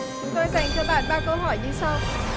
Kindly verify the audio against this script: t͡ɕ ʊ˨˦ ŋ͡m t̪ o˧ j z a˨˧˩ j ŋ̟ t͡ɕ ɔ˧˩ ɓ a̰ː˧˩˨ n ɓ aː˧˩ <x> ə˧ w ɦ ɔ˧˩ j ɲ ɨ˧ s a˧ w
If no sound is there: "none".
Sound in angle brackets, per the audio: k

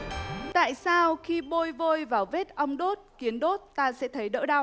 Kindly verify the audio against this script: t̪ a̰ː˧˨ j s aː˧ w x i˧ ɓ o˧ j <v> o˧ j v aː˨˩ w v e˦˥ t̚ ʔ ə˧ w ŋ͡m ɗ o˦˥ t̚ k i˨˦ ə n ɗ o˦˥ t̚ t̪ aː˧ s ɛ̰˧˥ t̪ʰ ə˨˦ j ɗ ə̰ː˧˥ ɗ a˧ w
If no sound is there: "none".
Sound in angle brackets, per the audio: v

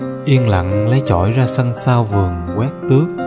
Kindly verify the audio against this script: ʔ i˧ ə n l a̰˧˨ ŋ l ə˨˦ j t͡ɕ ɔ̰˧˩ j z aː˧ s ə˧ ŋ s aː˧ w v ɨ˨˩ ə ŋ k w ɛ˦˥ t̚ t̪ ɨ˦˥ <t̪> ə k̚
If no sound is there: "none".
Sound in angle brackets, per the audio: none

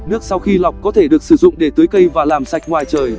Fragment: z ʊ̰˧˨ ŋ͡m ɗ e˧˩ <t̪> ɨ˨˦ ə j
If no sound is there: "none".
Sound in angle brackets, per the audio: t̪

